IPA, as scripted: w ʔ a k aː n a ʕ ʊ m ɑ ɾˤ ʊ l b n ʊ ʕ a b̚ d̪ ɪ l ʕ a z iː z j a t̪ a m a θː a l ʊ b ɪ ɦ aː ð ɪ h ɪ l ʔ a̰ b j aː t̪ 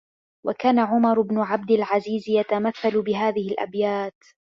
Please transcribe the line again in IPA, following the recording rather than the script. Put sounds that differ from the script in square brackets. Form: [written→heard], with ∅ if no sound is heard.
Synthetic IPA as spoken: w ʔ a k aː n a ʕ ʊ m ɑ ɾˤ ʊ [l→∅] b n ʊ ʕ a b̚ d̪ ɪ l ʕ a z iː z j a t̪ a m a θː a l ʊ b ɪ ɦ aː ð ɪ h ɪ l ʔ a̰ b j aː t̪